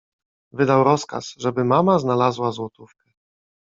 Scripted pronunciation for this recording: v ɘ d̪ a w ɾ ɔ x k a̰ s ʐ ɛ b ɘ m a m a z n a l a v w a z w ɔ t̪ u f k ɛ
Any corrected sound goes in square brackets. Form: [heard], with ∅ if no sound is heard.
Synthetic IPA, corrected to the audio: v ɘ d̪ a w ɾ ɔ [s] k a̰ s ʐ ɛ b ɘ m a m a z n a l a [z] w a z w ɔ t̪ u f k ɛ